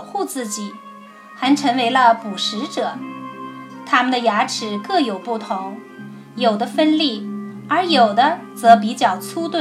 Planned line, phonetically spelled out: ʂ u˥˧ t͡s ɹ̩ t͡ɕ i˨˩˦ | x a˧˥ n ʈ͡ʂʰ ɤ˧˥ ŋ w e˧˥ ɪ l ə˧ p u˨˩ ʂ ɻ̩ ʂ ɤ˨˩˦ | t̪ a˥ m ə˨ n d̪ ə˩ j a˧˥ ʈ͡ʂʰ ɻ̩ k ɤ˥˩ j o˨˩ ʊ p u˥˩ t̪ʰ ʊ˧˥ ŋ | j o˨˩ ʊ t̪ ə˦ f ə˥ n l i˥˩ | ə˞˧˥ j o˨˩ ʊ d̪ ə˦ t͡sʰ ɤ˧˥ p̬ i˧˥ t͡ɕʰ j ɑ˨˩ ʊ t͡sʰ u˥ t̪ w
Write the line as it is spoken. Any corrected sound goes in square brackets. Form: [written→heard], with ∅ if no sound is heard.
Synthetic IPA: [ʂ→x] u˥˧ t͡s ɹ̩ t͡ɕ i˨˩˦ | x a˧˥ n ʈ͡ʂʰ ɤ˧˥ ŋ w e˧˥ ɪ l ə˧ p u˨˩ ʂ ɻ̩ [ʂ→ʈ͡ʂ] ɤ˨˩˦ | [t̪→t̪ʰ] a˥ m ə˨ n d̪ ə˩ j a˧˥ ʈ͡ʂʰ ɻ̩ k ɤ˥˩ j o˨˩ ʊ p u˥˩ t̪ʰ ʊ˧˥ ŋ | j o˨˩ ʊ [t̪→d̪] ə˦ f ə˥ n l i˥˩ | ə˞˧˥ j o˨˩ ʊ d̪ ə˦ [t͡sʰ→t͡s] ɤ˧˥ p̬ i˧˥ [t͡ɕʰ→t͡ɕ] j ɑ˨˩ ʊ t͡sʰ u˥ t̪ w